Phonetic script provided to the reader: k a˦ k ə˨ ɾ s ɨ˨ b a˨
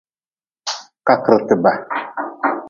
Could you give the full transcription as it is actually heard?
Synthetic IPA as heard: k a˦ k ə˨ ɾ t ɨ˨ b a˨